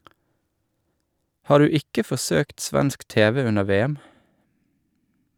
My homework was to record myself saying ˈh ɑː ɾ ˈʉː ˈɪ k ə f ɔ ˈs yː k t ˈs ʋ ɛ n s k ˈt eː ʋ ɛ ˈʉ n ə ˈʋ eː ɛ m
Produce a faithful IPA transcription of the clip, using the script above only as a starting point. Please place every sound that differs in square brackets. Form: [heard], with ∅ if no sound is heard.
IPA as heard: ˈh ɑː ɾ ˈʉː ˈɪ k ə f ɔ ˈs [øː] k t ˈs ʋ ɛ n s k ˈt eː ʋ ɛ ˈʉ n ə ˈʋ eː ɛ m